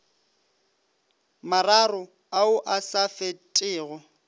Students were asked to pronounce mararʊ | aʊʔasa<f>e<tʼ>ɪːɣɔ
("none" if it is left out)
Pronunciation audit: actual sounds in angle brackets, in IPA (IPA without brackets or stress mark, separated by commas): f, tʼ